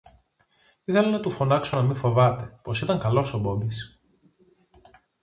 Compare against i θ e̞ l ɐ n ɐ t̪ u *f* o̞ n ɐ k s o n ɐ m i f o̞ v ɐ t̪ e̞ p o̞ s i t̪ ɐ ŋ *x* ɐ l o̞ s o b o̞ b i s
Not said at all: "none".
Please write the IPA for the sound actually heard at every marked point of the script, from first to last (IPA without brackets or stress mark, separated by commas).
f, k